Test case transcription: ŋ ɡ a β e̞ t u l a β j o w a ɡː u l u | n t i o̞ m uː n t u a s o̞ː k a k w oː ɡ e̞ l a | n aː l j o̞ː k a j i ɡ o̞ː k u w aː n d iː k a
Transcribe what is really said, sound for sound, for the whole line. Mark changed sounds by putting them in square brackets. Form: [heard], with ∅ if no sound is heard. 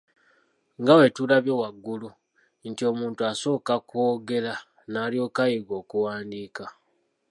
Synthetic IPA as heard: ŋ ɡ a [w] e̞ t u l a β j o w a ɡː u l u | n t i o̞ m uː n t u a s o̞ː k a k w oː ɡ e̞ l a | n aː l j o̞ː k a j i ɡ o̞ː k u w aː n d iː k a